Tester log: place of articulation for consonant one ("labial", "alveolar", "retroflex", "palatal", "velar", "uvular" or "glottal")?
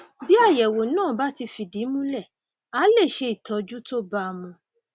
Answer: labial